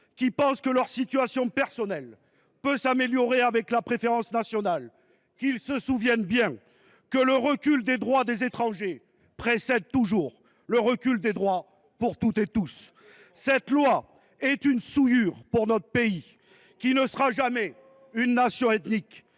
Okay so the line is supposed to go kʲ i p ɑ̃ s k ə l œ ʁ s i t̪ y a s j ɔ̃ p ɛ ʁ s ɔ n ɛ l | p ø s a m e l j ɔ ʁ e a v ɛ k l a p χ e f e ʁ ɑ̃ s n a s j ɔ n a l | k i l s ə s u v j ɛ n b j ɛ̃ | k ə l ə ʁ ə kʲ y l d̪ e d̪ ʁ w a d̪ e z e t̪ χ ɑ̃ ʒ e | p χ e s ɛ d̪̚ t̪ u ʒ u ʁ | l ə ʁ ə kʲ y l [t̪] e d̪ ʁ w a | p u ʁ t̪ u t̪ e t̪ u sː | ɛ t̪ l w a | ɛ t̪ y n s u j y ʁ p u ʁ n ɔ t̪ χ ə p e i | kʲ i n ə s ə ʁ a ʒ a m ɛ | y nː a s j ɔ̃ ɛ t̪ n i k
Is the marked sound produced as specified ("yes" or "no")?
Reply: no